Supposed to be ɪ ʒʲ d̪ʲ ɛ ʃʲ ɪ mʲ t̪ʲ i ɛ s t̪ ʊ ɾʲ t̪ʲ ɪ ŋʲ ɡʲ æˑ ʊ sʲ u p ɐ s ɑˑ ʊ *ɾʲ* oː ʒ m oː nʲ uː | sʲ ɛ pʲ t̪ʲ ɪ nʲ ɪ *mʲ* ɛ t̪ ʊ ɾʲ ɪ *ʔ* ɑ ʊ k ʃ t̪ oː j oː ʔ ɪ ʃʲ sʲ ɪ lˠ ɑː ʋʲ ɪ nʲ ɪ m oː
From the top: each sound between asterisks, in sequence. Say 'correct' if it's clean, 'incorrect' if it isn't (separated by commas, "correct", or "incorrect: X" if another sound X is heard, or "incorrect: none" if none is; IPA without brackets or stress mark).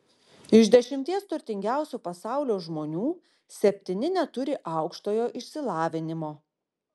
incorrect: lʲ, incorrect: nʲ, correct